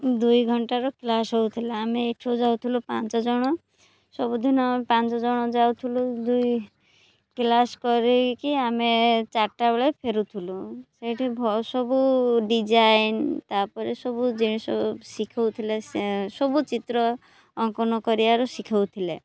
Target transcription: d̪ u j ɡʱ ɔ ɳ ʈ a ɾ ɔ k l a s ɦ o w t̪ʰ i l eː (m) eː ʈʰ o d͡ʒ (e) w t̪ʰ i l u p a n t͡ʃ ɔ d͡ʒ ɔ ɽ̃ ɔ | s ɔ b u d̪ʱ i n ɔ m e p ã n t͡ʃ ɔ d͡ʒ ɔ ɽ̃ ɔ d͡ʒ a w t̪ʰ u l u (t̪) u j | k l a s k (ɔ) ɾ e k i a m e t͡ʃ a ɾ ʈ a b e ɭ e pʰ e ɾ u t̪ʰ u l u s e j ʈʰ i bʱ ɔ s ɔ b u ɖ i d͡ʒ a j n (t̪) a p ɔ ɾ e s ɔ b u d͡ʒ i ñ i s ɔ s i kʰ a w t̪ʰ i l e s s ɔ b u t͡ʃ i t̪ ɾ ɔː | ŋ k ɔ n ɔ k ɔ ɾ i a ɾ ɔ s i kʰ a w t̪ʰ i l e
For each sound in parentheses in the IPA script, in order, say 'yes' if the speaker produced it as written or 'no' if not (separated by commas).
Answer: yes, no, no, yes, yes